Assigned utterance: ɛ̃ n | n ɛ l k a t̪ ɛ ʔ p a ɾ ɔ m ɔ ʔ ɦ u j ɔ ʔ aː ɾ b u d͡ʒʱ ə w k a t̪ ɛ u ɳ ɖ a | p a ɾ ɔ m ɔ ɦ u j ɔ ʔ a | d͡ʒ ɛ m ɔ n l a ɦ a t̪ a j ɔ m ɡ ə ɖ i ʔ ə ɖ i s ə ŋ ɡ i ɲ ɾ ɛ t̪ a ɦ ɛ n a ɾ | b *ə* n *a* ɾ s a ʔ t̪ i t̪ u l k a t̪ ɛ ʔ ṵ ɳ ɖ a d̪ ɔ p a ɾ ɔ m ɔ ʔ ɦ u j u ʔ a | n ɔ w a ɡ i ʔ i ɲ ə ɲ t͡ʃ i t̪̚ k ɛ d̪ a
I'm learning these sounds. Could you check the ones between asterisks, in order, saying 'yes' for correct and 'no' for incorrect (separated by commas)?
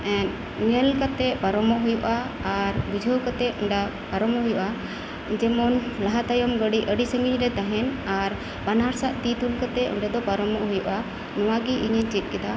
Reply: no, yes